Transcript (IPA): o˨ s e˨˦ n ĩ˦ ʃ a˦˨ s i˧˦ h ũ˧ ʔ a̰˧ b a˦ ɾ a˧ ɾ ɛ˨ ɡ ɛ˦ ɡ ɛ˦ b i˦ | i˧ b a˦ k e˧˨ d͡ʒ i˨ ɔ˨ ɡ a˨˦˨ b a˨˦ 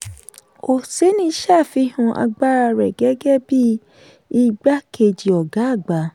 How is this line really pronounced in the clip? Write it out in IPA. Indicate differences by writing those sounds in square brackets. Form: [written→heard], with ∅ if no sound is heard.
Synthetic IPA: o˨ s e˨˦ n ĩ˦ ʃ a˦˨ [s→f] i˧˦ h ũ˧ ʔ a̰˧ [b→ɡ͡b] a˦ ɾ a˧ ɾ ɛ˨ ɡ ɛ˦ ɡ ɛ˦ b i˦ | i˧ [b→ɡ͡b] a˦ k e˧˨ d͡ʒ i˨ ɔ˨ ɡ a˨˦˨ [b→ɡ͡b] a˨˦